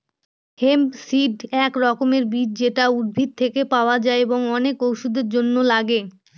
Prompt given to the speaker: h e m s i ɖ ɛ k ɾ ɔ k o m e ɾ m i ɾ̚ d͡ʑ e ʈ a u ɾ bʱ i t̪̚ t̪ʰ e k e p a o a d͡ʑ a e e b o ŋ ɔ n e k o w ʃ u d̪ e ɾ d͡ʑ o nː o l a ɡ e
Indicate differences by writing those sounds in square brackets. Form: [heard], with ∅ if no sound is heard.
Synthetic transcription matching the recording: h e m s i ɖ ɛ k ɾ ɔ k o m e ɾ [b] i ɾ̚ d͡ʑ e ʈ a u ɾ bʱ i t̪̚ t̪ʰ e k e p a o a d͡ʑ a e e b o ŋ ɔ n e k o w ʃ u d̪ e ɾ d͡ʑ o nː o l a ɡ e